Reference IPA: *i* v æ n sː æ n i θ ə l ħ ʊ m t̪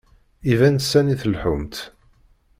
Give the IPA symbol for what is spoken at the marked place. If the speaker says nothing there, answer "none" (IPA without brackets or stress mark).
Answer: i